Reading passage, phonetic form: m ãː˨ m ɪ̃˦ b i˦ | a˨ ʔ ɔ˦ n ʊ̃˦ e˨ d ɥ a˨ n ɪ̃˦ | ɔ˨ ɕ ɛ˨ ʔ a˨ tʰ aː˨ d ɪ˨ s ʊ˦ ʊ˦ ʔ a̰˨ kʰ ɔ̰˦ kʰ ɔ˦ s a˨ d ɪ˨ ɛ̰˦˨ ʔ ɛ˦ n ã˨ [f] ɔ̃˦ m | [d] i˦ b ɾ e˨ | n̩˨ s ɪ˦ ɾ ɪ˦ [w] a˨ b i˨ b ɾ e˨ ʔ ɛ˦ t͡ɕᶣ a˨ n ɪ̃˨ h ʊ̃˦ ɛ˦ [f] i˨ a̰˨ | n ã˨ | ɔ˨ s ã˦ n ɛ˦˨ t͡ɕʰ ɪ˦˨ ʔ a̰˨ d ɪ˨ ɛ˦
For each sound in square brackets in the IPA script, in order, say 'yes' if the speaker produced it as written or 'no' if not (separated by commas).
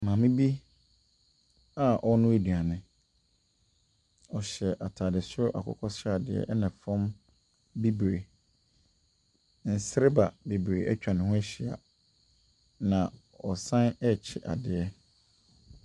yes, no, no, no